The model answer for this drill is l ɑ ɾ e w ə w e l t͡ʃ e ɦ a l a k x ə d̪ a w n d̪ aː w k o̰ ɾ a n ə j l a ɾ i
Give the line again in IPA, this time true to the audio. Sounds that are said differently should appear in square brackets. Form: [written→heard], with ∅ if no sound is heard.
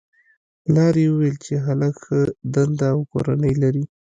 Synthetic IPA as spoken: l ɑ ɾ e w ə w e l t͡ʃ e ɦ a l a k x ə d̪ a [w→∅] n d̪ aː w k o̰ ɾ a n ə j l a ɾ i